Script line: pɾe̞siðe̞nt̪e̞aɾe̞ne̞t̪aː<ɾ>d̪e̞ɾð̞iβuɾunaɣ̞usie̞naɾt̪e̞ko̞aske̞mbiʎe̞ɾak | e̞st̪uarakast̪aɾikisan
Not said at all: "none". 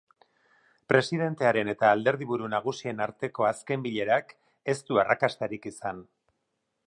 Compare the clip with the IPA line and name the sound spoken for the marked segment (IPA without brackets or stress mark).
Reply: l